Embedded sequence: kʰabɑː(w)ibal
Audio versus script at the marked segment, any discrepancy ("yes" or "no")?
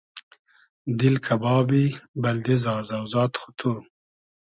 yes